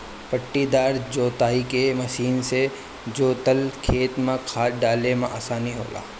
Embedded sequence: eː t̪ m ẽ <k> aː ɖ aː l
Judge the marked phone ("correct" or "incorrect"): incorrect